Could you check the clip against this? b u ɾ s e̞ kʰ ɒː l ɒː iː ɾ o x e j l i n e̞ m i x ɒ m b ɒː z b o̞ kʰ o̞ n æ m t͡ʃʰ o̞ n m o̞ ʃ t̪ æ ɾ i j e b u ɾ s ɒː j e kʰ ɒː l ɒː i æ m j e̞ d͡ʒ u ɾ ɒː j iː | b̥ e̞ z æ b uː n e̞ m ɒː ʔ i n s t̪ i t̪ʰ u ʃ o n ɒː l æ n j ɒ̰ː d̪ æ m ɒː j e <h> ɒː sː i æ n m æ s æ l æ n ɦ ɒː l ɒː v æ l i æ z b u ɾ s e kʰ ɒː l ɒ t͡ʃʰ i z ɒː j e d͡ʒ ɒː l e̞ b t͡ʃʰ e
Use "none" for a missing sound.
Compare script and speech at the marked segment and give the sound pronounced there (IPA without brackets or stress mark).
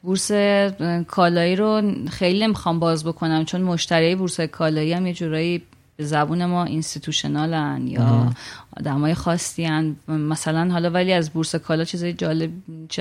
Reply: x